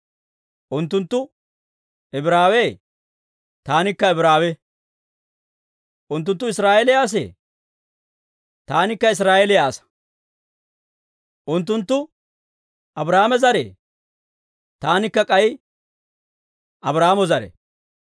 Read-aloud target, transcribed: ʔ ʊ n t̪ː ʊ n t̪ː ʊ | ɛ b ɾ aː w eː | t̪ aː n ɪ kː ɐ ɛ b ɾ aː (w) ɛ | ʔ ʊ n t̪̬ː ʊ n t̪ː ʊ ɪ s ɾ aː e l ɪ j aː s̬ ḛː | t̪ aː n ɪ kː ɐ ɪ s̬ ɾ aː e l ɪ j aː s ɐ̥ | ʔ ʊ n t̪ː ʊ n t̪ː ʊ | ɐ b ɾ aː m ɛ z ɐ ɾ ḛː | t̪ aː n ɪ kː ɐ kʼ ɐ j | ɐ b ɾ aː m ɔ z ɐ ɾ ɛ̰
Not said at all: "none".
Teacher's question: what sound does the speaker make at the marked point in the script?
w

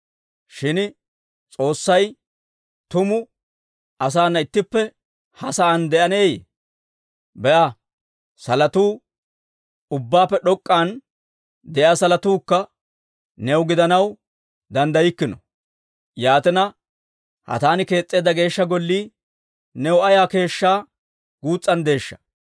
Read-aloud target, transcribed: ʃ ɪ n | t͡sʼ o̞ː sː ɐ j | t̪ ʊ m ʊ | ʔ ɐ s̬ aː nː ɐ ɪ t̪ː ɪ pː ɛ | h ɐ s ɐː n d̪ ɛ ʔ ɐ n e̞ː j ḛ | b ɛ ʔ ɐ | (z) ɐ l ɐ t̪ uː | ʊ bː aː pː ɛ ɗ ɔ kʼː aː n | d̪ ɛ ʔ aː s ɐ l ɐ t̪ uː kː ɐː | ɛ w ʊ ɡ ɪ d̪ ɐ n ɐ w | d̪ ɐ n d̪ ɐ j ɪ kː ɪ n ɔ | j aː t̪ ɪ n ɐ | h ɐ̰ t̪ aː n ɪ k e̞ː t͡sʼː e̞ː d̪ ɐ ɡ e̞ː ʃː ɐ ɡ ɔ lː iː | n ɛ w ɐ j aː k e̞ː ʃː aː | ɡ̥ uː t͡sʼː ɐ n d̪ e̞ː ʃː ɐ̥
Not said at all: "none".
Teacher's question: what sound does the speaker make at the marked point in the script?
s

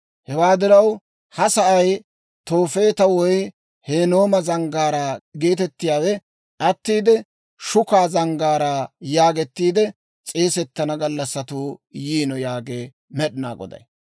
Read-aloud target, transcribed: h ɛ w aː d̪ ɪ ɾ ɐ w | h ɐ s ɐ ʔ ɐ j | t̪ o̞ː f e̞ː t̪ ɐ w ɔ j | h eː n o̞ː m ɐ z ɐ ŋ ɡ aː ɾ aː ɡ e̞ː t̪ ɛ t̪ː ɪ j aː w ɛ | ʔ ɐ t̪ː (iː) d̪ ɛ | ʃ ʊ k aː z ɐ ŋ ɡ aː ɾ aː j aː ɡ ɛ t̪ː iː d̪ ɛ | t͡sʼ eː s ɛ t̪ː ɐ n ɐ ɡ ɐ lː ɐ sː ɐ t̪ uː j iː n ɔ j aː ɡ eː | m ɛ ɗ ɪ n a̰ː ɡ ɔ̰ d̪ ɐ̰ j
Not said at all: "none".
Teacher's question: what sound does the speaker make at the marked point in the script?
iː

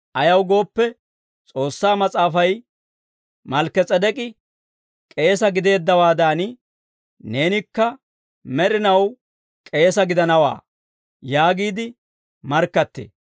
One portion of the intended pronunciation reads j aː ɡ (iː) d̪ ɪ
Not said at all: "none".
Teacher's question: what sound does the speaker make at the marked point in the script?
iː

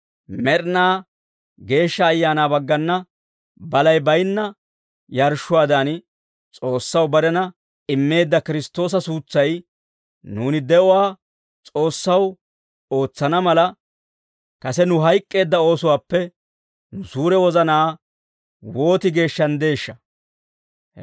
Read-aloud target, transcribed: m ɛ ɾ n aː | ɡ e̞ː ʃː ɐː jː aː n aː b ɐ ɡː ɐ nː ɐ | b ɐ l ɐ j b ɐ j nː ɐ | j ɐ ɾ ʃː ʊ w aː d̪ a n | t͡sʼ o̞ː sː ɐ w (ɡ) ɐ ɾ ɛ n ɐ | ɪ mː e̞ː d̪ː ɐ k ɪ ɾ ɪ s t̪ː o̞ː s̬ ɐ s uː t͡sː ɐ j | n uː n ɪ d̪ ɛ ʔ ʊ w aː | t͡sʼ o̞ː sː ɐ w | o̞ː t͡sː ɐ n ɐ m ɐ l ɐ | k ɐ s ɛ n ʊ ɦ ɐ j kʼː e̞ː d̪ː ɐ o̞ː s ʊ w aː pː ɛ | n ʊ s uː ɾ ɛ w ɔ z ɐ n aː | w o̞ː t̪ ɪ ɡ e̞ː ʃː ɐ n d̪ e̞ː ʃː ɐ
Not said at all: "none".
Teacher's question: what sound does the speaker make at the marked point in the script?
b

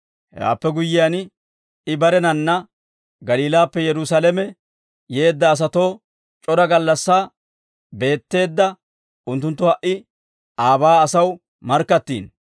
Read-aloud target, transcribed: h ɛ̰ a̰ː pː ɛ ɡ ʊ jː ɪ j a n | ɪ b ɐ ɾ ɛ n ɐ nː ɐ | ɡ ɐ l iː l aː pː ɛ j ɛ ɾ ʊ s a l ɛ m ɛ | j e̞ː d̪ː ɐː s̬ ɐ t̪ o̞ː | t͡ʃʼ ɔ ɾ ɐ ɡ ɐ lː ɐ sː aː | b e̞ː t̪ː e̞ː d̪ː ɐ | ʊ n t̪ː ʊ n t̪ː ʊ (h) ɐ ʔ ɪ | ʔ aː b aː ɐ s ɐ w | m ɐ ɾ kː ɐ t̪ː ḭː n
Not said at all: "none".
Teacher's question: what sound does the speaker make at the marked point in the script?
h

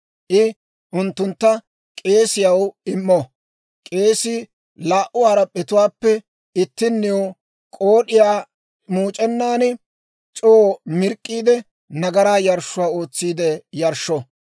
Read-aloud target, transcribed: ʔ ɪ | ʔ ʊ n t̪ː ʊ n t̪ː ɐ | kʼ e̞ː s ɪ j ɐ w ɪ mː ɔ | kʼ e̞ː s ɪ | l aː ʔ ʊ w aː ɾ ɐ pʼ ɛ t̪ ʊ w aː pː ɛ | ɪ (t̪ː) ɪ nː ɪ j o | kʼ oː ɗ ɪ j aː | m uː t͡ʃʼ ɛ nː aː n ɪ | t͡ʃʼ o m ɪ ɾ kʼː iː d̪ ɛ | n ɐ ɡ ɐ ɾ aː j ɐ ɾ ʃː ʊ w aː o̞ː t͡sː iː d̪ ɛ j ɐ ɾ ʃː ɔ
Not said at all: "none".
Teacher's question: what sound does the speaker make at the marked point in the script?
t̪ː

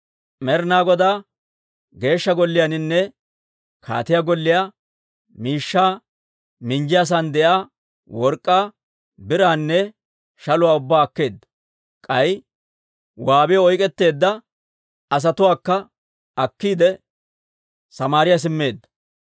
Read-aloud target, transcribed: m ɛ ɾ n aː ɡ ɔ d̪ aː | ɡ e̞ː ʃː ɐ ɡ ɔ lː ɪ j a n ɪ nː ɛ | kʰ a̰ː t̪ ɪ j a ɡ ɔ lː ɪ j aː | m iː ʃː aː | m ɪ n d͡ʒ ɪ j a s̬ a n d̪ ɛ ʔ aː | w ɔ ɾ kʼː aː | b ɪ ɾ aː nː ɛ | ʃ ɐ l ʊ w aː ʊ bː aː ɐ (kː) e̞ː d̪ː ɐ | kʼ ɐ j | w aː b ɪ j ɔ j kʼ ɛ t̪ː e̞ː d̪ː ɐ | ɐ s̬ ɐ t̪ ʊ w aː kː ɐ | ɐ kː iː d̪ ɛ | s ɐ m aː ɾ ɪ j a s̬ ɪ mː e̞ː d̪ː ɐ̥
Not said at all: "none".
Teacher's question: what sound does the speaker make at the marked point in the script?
kː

